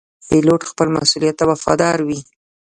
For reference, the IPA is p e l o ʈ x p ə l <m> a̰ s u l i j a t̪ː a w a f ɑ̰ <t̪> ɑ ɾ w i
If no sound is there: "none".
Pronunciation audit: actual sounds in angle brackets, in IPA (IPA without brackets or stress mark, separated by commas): m, d̪